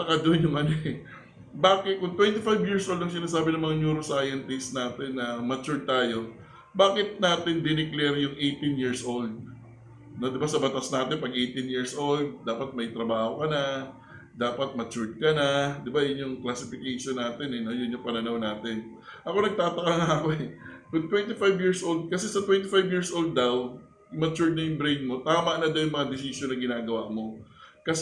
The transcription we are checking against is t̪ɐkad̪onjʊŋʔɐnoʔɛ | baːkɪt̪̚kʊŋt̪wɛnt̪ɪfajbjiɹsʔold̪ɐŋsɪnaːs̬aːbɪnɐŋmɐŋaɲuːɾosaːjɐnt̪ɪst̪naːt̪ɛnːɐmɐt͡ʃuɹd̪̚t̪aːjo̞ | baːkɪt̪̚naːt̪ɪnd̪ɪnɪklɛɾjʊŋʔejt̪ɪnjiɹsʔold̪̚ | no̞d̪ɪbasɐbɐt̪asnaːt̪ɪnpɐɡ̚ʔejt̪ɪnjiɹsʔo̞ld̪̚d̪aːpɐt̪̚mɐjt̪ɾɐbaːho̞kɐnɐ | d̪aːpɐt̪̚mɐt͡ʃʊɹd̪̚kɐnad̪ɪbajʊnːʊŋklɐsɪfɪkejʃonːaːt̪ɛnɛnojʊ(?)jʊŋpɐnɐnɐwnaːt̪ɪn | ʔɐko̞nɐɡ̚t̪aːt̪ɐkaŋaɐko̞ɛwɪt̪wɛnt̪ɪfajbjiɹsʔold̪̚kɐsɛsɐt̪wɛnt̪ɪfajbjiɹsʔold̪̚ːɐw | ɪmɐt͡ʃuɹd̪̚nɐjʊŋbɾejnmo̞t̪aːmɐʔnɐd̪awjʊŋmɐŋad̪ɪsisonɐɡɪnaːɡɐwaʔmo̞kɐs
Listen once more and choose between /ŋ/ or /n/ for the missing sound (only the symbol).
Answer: n